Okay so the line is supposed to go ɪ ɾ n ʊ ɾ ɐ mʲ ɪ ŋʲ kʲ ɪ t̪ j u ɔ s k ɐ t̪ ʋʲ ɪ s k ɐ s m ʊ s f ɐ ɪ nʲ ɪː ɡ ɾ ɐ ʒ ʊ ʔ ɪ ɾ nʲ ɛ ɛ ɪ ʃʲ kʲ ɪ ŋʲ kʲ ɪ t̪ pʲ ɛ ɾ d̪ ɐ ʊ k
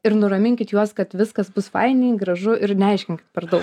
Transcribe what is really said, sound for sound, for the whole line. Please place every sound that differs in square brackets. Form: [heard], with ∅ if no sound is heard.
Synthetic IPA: ɪ ɾ n ʊ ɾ ɐ mʲ ɪ ŋʲ kʲ ɪ t̪ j u ɔ s k ɐ t̪ ʋʲ ɪ s k ɐ s [b] ʊ s f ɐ ɪ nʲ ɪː ɡ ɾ ɐ ʒ ʊ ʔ ɪ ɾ nʲ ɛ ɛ ɪ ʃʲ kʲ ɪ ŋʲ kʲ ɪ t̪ pʲ ɛ ɾ d̪ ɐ ʊ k